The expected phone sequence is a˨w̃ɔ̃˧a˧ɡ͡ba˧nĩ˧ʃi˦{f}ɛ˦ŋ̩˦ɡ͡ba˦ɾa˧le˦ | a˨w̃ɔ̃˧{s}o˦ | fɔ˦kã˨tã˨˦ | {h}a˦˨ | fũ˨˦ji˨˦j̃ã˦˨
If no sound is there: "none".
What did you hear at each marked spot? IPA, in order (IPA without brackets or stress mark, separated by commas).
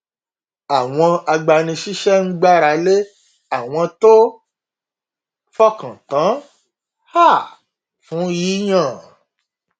ʃ, t, h